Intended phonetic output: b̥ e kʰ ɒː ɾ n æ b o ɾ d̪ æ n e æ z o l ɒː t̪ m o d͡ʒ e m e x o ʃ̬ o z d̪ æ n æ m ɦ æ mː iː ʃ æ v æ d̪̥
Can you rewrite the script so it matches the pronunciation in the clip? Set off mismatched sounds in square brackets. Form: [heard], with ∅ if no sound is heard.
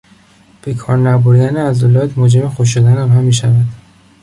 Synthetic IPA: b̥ e kʰ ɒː ɾ n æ b o ɾ d̪ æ n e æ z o l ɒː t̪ m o d͡ʒ e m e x o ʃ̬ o [∅] d̪ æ n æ m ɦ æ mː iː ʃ æ v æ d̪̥